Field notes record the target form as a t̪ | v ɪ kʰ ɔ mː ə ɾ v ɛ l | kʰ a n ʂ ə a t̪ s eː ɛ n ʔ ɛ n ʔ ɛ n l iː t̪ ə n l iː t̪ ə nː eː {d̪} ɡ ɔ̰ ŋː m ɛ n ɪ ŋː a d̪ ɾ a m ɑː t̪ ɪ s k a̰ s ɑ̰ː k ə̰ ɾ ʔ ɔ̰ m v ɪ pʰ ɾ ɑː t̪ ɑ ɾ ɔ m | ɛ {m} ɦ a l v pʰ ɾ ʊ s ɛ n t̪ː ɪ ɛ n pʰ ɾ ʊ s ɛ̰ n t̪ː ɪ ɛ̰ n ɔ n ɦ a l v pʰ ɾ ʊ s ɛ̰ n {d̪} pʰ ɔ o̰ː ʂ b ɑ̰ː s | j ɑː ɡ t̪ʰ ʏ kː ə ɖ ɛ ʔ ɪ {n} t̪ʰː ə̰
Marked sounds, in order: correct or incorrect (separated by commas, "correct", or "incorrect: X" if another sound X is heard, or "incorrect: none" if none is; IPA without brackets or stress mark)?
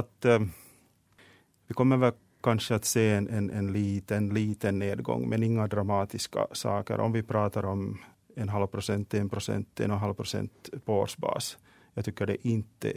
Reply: correct, incorrect: n, incorrect: t̪, correct